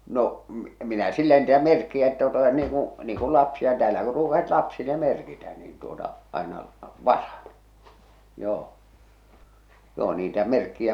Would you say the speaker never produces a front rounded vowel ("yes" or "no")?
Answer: yes